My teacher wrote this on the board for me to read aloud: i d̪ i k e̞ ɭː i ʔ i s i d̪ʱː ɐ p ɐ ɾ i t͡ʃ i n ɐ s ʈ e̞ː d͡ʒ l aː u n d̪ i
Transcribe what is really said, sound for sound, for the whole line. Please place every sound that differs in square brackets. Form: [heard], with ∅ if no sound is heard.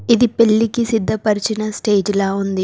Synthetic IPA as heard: i d̪ i [p] e̞ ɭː i [k] i s i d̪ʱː ɐ p ɐ ɾ i t͡ʃ i n ɐ s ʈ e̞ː d͡ʒ l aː u n d̪ i